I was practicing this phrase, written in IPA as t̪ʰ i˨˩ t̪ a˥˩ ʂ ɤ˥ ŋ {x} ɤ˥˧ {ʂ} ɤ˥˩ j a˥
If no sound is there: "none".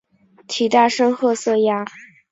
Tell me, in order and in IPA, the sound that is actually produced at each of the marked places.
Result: x, s

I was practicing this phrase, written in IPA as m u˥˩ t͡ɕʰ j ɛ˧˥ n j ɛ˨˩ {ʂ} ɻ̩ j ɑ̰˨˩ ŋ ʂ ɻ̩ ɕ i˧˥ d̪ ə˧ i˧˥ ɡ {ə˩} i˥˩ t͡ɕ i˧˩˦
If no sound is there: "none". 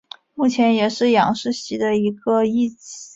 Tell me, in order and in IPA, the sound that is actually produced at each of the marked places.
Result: ʂ, ə˧

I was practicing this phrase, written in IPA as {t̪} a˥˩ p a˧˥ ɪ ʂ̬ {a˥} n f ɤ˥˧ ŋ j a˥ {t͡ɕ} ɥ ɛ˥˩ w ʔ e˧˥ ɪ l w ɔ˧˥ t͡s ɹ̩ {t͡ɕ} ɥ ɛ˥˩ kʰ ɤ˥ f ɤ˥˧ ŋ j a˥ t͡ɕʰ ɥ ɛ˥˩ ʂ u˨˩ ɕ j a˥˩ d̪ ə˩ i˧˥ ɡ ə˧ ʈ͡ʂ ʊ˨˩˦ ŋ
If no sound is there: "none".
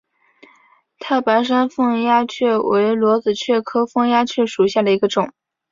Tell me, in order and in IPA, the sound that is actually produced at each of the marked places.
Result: t̪ʰ, a˥, t͡ɕʰ, t͡ɕʰ

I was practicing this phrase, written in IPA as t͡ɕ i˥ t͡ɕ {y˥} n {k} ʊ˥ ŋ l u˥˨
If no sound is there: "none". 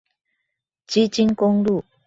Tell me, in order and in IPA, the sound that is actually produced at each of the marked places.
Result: i˥, k

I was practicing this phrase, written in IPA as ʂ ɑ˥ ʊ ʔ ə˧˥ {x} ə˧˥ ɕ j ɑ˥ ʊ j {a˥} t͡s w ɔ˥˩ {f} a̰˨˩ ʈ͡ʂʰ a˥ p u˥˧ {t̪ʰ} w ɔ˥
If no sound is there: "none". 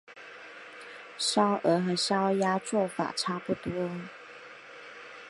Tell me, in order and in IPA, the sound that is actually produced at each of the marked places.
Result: x, a˥, f, t̪

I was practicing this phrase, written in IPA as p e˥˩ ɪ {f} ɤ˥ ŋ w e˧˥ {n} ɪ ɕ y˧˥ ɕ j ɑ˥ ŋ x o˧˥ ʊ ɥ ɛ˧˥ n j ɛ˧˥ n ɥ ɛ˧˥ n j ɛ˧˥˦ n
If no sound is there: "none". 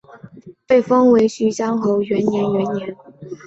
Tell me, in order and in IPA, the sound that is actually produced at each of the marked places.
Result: f, none

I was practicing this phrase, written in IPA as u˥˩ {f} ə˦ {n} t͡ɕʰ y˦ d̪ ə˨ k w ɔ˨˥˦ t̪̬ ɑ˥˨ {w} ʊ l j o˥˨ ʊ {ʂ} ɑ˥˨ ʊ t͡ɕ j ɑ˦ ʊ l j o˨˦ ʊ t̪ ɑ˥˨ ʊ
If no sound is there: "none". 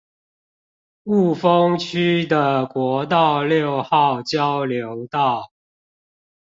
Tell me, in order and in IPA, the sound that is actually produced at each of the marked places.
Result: f, ŋ, none, x

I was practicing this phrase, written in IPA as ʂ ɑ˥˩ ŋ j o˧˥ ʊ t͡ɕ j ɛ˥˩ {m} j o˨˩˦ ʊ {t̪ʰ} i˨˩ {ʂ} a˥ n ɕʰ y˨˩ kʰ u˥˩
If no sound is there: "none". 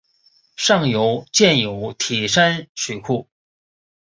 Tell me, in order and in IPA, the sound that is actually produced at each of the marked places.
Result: n, t̪ʰ, ʂ

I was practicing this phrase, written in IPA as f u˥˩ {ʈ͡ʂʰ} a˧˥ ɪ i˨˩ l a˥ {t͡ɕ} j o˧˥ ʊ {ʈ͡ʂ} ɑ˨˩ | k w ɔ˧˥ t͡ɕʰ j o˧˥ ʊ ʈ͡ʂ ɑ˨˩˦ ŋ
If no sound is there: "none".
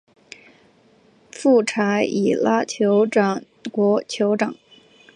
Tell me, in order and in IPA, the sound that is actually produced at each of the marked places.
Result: ʈ͡ʂʰ, t͡ɕʰ, ʈ͡ʂ

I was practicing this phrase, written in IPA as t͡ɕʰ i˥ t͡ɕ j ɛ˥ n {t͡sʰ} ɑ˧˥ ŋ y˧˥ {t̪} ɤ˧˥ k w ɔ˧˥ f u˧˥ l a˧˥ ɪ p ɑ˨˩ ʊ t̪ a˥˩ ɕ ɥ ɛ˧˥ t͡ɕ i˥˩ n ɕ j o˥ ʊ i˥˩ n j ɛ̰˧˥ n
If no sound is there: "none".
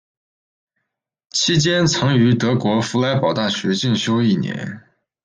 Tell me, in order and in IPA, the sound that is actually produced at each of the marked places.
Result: t͡sʰ, t̪

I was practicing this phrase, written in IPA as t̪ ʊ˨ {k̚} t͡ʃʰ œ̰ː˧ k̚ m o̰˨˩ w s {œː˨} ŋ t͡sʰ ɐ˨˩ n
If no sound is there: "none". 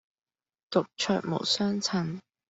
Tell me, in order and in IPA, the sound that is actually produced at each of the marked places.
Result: k̚, œː˥

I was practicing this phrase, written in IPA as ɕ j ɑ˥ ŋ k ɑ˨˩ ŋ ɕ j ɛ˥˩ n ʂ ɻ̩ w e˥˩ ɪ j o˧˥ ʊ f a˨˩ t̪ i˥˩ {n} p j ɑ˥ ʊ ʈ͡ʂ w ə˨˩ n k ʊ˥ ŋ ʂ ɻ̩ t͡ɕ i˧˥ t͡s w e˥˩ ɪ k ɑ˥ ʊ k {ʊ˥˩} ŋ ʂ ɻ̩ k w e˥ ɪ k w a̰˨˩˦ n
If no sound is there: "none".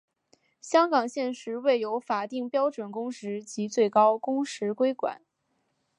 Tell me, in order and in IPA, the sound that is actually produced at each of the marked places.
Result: ŋ, ʊ˥

